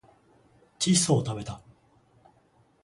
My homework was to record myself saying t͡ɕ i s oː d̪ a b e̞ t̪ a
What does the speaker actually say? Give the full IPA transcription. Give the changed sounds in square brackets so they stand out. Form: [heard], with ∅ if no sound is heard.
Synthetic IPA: t͡ɕ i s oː [t̪] a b e̞ t̪ a